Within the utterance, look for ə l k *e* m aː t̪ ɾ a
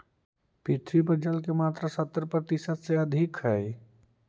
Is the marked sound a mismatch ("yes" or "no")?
no